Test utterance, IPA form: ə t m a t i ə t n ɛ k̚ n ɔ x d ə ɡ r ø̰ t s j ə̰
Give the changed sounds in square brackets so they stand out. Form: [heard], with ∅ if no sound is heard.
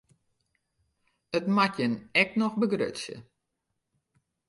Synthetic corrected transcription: ə t m a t [j] ə [∅] n ɛ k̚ n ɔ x [b] ə ɡ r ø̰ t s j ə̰